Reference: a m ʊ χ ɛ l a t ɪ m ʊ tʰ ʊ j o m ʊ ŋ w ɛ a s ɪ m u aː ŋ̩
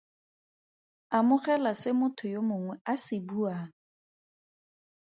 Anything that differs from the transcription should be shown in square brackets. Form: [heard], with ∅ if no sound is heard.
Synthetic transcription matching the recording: a m ʊ χ ɛ l a [s] ɪ m ʊ tʰ ʊ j o m ʊ ŋ w ɛ a s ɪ [b] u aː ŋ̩